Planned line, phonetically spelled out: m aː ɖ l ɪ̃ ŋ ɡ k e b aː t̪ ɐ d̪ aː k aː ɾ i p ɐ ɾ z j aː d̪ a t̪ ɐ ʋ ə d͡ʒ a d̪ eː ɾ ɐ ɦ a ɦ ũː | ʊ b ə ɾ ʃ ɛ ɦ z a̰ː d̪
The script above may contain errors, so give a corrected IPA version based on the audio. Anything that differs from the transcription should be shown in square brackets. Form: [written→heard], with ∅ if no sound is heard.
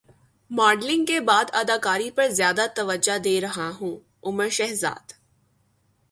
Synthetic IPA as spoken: m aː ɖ l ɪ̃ ŋ ɡ k e b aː [t̪→d̪] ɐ d̪ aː k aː ɾ i p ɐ ɾ z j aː d̪ a t̪ ɐ ʋ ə d͡ʒ a d̪ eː ɾ ɐ ɦ a ɦ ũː | ʊ [b→m] ə ɾ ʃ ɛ ɦ z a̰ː d̪